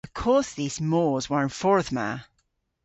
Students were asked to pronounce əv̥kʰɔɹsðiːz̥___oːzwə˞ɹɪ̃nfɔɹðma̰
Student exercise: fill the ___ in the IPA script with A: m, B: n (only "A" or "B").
A